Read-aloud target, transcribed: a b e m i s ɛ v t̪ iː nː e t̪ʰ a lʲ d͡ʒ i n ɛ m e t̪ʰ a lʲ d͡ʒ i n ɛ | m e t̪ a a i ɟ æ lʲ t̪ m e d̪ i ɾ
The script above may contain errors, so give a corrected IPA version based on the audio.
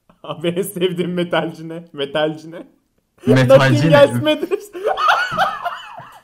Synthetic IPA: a b e n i s ɛ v d̪ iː mː e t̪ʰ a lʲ d͡ʒ i n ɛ m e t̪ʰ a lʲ d͡ʒ i n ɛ | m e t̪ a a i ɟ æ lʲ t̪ m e d̪ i ɾ